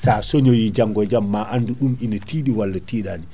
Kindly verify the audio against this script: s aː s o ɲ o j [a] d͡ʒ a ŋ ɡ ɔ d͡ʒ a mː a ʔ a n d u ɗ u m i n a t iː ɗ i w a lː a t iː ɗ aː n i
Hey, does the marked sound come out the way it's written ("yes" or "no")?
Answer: no